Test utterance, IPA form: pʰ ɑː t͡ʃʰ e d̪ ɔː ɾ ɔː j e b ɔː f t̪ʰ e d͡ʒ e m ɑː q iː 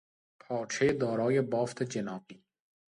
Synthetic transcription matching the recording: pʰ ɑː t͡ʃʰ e d̪ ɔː ɾ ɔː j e b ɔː f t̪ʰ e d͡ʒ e n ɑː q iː